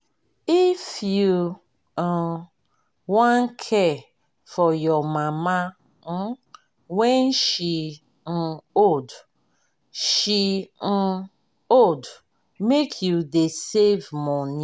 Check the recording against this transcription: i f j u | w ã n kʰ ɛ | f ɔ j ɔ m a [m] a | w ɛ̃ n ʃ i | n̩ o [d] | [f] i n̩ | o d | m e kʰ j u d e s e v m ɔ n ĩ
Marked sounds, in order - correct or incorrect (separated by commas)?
correct, correct, incorrect